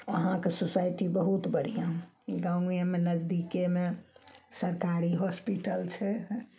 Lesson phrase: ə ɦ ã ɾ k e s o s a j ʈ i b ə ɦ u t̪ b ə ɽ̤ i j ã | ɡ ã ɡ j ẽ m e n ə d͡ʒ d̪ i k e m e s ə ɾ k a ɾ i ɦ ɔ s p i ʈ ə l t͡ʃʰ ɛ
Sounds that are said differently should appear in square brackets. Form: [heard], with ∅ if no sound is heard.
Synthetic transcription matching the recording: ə ɦ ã [∅] k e s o s a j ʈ i b ə ɦ u t̪ b ə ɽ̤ i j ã | ɡ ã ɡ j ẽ m e n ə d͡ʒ d̪ i k e m e s ə ɾ k a ɾ i ɦ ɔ s p i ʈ ə l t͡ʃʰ ɛ

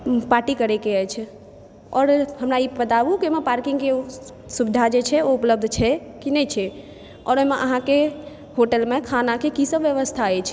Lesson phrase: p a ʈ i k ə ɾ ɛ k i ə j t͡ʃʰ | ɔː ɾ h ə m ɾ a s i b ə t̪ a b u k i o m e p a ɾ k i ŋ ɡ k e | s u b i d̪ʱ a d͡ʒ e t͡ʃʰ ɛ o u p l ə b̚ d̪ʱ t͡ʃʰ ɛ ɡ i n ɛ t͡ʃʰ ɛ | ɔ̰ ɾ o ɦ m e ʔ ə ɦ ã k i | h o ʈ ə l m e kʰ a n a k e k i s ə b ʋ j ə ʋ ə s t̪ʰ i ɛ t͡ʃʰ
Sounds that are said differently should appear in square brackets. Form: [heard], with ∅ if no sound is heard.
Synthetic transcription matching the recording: p a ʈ i k ə ɾ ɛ k [e] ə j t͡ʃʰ | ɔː ɾ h ə m ɾ a [∅] i b ə t̪ a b u k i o m e p a ɾ k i ŋ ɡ k e | s u b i d̪ʱ a d͡ʒ e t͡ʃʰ ɛ o u p l ə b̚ d̪ʱ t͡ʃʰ ɛ [k] i n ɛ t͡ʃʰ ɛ | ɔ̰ ɾ o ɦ m e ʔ ə ɦ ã k [e] | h o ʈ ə l m e kʰ a n a k e k i s ə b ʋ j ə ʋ ə s t̪ʰ [a] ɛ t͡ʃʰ

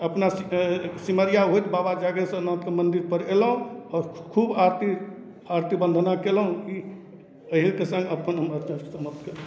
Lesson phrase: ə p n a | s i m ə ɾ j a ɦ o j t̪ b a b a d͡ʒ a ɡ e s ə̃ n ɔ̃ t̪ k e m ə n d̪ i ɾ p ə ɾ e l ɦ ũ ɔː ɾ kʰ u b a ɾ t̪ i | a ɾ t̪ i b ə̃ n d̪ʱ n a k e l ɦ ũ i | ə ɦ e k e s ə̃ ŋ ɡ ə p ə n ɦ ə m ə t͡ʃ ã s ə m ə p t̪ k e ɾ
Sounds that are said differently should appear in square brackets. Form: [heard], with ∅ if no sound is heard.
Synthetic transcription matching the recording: ə p n a | s i m ə ɾ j a ɦ o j t̪ b a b a d͡ʒ a ɡ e s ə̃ n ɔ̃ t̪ k e m ə n d̪ i ɾ p ə ɾ e l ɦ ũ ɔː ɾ kʰ u b a ɾ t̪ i | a ɾ t̪ i b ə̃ n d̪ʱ n a k e l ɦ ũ i | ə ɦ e k e s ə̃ ŋ ɡ ə p ə n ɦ ə m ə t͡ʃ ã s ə m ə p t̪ k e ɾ

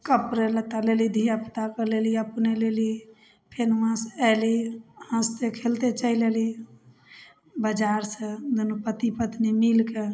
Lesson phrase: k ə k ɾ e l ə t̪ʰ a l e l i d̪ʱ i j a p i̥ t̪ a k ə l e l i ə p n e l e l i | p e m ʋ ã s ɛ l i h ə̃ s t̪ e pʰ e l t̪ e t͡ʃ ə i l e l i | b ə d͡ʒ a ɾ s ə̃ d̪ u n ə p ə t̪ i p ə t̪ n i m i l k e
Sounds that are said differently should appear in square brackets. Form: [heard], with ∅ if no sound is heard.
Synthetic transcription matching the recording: k ə [p] ɾ e l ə [t̪] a l e l i d̪ʱ i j a p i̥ t̪ a k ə l e l i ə p n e l e l i | [pʰ] e [n] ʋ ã s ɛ l i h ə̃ s t̪ e [kʰ] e l t̪ e t͡ʃ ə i l e l i | b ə d͡ʒ a ɾ s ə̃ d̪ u n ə p ə t̪ i p ə t̪ n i m i l k e

